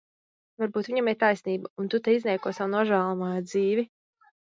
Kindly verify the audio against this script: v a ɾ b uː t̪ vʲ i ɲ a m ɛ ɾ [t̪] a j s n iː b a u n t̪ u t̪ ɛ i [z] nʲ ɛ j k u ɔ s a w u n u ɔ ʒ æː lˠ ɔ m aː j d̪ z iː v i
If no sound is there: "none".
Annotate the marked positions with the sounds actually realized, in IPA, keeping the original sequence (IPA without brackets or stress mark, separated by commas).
t̪, z